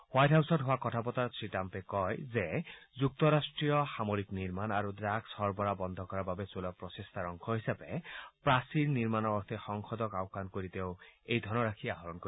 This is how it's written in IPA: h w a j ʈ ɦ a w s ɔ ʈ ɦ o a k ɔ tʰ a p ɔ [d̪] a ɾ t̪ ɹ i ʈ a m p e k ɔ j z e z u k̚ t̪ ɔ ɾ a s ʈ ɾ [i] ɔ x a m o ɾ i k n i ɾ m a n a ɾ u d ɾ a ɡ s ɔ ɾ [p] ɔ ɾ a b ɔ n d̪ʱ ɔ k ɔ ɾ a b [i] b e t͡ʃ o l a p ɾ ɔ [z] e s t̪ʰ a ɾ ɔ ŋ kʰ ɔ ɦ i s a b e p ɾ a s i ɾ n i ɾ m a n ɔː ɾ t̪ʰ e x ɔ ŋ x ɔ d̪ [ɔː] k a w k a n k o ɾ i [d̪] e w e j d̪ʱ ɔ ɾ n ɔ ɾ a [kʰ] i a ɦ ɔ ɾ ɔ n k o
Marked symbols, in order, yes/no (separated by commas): no, yes, no, no, no, no, no, yes